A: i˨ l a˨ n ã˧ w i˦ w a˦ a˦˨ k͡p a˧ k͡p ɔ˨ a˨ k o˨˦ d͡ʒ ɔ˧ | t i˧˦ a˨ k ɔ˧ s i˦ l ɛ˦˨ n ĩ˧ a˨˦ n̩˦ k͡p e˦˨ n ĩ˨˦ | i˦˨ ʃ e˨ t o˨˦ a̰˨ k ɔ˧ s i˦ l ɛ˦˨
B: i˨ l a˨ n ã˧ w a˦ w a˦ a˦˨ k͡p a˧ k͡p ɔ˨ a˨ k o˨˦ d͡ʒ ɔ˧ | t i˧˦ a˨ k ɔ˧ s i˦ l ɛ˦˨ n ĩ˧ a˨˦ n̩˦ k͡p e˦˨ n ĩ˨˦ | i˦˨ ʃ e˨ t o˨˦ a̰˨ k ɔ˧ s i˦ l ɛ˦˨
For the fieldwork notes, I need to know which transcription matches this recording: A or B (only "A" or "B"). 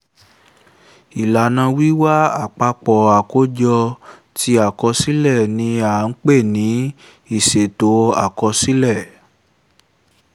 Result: A